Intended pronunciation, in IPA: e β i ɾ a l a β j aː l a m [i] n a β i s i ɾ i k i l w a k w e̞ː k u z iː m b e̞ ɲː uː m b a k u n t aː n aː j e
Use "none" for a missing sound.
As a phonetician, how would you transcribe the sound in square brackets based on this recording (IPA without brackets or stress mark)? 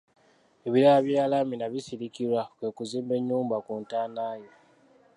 i